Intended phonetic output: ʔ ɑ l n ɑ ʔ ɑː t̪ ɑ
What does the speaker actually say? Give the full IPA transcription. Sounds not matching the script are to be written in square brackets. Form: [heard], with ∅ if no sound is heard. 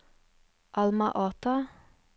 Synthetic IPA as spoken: ʔ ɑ l [m] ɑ ʔ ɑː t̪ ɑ